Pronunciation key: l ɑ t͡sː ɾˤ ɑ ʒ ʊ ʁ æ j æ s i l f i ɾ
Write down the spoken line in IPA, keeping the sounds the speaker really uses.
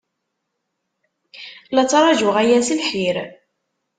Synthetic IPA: l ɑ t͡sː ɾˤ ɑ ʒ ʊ ʁ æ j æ s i l ħ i ɾ